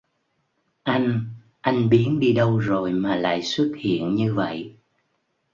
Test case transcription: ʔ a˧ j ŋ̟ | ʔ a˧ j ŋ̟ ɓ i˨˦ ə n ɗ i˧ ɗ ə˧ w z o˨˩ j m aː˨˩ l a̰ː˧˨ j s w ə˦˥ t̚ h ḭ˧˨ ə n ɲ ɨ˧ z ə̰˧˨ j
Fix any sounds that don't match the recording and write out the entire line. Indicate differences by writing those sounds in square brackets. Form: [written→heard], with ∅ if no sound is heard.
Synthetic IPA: ʔ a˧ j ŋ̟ | ʔ a˧ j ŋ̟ ɓ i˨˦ ə n ɗ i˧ ɗ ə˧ w z o˨˩ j m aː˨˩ l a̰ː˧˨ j s w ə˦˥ t̚ h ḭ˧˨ ə n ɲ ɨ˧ [z→v] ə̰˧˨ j